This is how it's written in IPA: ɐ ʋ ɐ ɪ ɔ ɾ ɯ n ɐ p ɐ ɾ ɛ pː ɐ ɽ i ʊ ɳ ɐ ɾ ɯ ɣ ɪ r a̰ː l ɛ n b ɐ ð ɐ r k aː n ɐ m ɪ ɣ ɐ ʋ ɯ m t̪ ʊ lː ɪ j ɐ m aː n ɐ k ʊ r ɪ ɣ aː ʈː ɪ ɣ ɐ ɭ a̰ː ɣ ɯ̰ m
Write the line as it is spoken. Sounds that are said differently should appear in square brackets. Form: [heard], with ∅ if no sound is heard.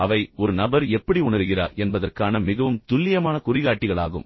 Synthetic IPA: ɐ ʋ ɐ ɪ ɔ ɾ ɯ n ɐ [b] ɐ ɾ ɛ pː ɐ ɽ i ʊ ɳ ɐ ɾ ɯ ɣ ɪ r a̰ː [ɾ] ɛ n b ɐ ð ɐ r k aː n ɐ m ɪ ɣ ɐ ʋ ɯ m t̪ ʊ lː ɪ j ɐ m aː n ɐ k ʊ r ɪ ɣ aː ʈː ɪ ɣ ɐ ɭ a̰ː ɣ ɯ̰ m